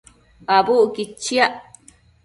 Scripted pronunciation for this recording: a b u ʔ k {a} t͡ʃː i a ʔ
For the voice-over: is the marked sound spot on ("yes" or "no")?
no